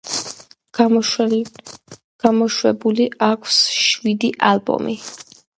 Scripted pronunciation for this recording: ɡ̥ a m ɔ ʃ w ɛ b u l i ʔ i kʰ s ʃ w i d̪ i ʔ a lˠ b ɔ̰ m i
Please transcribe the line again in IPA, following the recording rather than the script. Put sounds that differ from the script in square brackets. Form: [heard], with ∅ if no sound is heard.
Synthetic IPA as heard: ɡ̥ a m ɔ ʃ w ɛ b u l i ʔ [a] kʰ s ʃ w i d̪ i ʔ a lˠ b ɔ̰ m i